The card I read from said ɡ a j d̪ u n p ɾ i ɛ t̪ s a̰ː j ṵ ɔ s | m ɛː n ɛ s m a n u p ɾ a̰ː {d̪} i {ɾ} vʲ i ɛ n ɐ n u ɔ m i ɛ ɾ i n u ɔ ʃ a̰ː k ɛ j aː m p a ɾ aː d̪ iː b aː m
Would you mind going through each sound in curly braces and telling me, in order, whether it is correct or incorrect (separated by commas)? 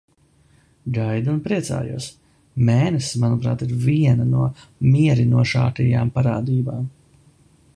incorrect, correct